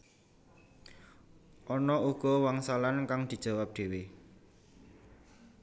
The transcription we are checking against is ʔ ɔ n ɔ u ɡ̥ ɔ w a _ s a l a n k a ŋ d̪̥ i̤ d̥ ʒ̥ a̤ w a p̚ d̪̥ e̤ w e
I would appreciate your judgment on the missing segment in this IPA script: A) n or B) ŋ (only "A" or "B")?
B